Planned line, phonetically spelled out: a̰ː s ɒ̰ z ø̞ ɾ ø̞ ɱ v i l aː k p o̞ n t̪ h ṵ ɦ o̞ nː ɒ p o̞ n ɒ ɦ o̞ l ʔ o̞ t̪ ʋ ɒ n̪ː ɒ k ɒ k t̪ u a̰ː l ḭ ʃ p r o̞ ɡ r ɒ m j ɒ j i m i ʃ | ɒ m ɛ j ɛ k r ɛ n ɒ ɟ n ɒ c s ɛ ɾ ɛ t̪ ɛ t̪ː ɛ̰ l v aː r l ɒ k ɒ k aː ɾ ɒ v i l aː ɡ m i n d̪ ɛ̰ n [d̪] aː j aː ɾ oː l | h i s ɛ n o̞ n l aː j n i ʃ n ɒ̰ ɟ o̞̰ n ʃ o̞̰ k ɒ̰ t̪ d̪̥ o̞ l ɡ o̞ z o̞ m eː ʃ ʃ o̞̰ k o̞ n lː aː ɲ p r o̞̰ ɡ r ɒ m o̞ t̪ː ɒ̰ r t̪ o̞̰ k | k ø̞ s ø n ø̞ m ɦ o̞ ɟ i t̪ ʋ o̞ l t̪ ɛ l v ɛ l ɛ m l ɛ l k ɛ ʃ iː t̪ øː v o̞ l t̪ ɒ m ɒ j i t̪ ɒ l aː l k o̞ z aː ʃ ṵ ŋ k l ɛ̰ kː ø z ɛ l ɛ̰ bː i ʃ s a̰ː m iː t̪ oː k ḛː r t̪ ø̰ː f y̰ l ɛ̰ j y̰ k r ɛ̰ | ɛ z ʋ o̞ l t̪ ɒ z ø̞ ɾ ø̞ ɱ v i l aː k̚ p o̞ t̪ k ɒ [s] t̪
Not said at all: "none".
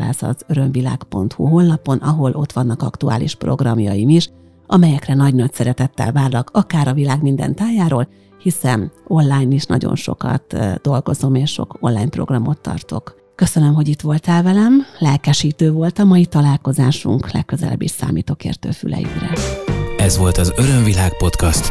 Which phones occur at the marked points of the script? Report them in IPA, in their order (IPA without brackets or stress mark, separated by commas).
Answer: t̪, s